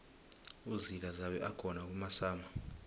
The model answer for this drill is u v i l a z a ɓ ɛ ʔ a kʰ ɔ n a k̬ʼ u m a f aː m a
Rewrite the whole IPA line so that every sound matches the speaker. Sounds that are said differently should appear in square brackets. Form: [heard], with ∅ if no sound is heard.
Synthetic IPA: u [z] i l a z a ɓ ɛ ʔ a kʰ ɔ n a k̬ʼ u m a [s] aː m a